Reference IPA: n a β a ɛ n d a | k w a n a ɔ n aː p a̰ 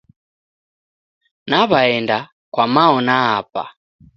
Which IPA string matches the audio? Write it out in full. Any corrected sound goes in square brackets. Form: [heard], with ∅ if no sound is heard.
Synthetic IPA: n a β a ɛ n d a | k w a [m] a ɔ n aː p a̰